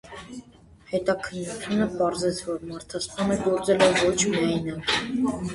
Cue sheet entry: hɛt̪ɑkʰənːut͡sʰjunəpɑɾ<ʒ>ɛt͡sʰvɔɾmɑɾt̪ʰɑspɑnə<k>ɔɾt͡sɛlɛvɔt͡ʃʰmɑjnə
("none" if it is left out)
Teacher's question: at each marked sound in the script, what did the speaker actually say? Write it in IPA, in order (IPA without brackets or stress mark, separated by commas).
z, ɡ